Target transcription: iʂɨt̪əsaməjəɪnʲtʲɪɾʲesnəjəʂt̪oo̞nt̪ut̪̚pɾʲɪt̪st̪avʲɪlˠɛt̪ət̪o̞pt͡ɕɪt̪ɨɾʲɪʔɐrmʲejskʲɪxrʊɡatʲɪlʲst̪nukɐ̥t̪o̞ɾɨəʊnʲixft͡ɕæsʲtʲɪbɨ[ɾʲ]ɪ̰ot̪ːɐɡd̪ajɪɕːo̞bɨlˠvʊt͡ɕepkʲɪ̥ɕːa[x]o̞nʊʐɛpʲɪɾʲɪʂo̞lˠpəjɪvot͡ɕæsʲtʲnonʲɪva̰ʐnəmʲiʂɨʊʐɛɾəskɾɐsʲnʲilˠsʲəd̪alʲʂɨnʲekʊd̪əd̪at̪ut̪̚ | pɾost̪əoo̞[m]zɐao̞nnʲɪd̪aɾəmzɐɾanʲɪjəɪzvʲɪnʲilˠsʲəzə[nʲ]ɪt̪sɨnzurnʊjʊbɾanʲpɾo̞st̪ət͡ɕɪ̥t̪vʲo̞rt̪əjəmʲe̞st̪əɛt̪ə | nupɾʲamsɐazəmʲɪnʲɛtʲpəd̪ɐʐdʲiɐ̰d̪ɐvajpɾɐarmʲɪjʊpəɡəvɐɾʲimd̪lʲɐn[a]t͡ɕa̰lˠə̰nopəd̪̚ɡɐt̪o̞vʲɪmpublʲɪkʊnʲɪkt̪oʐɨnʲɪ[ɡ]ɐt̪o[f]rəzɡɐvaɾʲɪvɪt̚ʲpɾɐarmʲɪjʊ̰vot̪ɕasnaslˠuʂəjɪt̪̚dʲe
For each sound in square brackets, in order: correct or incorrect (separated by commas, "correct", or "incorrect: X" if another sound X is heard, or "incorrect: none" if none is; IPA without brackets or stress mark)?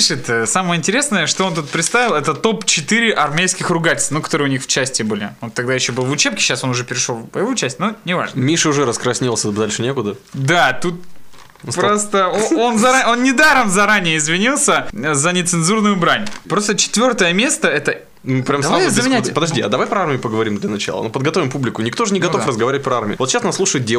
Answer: incorrect: lʲ, incorrect: s, incorrect: n, correct, incorrect: ɐ, correct, correct